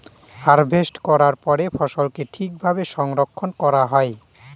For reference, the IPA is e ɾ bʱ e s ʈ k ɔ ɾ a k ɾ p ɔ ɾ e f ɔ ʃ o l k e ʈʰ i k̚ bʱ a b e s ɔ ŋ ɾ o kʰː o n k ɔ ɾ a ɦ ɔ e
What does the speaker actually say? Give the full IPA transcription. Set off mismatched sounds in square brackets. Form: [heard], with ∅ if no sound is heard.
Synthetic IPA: [a] ɾ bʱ e s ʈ k ɔ ɾ a [∅] ɾ p ɔ ɾ e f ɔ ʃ o l k e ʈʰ i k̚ bʱ a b e [ʃ] ɔ ŋ ɾ o kʰː o n k ɔ ɾ a ɦ ɔ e